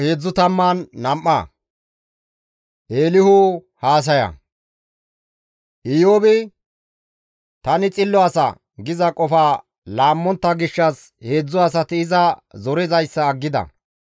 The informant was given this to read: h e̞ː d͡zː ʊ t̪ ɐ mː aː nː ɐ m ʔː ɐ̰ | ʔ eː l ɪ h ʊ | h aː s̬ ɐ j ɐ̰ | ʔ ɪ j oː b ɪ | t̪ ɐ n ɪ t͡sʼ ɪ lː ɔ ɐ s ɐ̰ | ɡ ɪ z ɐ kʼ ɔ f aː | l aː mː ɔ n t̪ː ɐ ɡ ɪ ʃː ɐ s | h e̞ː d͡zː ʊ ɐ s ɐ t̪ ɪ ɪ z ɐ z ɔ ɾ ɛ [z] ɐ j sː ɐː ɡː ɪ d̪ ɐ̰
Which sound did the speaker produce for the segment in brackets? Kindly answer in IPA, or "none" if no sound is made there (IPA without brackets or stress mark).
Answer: z